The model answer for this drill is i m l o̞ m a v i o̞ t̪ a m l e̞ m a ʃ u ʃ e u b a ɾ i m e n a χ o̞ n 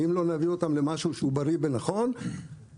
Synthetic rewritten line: i m l o̞ n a v i o̞ t̪ a m l e̞ m a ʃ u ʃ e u b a ɾ i b e n a χ o̞ n